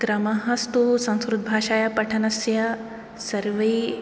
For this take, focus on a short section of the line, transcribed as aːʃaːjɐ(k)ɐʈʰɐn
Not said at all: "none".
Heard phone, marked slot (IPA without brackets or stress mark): p